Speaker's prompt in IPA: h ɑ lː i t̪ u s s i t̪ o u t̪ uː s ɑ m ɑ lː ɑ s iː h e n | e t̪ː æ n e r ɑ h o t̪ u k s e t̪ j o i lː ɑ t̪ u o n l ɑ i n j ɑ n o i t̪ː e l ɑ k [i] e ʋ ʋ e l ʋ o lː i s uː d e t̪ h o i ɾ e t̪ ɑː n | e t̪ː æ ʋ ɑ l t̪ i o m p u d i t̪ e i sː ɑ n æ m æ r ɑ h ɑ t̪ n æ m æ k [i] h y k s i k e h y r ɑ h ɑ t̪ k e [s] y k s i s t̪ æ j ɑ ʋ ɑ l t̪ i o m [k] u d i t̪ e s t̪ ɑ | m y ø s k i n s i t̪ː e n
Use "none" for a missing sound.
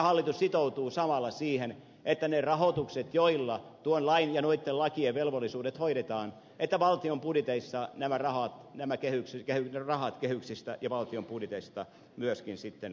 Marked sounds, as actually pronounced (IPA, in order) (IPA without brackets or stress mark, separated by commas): i, e, h, p